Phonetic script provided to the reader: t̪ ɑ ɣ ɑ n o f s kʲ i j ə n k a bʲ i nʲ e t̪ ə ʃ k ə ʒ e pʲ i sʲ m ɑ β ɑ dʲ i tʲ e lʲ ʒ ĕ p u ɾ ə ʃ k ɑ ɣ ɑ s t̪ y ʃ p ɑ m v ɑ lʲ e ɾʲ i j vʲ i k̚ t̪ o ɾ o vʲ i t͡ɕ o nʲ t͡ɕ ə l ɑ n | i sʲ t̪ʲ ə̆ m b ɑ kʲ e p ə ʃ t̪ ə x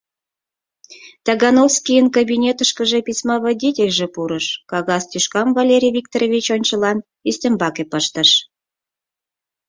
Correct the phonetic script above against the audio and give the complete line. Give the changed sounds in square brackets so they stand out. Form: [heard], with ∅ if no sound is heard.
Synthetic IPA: t̪ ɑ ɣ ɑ n o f s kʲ i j ə n k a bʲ i nʲ e t̪ ə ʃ k ə ʒ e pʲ i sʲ m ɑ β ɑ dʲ i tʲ e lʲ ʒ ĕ p u ɾ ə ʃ k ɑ ɣ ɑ s t̪ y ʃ [k] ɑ m v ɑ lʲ e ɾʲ i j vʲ i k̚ t̪ o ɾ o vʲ i t͡ɕ o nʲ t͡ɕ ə l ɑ n | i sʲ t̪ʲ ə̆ m b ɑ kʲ e p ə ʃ t̪ ə [ʃ]